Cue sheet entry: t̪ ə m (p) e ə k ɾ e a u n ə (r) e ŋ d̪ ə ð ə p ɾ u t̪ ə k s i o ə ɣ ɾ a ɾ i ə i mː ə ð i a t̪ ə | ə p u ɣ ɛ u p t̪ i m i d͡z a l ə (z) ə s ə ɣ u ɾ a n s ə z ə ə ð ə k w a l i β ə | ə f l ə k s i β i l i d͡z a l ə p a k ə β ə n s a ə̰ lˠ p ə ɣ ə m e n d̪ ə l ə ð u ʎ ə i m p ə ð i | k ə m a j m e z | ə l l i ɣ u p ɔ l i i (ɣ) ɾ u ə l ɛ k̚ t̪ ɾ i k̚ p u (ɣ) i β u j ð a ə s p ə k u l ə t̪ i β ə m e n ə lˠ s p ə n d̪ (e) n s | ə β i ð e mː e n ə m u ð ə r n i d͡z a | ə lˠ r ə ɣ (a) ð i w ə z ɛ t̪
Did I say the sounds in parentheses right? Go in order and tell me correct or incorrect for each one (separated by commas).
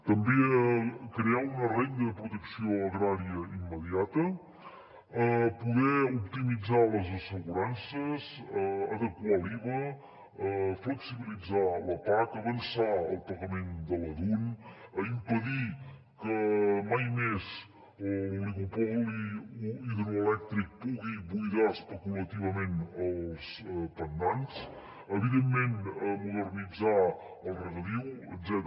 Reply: incorrect, correct, correct, incorrect, correct, incorrect, incorrect